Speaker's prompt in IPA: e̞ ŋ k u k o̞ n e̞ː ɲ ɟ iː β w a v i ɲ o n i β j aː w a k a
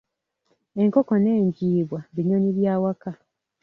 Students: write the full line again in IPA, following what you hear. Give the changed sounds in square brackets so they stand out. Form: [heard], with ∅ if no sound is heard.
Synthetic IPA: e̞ ŋ k [o] k o̞ n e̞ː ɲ ɟ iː β w a [β] i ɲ o [ɲ] i β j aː w a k a